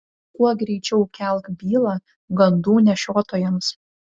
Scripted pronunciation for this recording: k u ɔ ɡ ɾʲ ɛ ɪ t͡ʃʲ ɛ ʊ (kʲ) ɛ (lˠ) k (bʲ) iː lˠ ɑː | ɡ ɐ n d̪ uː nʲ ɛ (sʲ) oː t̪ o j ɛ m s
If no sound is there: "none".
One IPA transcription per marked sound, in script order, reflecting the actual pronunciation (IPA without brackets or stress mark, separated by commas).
kʲ, lˠ, bʲ, ʃʲ